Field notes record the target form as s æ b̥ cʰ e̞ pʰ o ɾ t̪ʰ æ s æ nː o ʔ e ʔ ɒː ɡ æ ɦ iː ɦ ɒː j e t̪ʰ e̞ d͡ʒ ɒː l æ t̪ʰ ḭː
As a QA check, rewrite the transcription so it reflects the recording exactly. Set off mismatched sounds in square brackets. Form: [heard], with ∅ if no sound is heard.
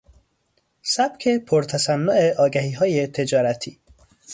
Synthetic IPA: s æ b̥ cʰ e̞ pʰ o ɾ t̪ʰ æ s æ nː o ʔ e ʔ ɒː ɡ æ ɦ iː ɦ ɒː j e t̪ʰ e̞ d͡ʒ ɒː [ɾ] æ t̪ʰ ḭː